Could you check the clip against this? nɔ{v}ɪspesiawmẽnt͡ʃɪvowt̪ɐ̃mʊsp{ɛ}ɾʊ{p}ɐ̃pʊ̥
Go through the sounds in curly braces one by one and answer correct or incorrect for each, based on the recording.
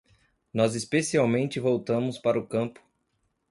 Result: incorrect: z, incorrect: a, incorrect: k

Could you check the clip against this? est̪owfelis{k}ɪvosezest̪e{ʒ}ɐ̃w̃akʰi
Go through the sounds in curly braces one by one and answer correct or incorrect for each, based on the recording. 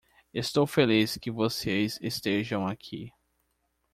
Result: correct, correct

